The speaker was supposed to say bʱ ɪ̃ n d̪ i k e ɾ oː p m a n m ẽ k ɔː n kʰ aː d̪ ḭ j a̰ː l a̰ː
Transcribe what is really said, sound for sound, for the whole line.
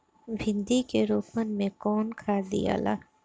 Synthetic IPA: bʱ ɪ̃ n d̪ i k e ɾ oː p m ə n m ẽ k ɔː n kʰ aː d̪ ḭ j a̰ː l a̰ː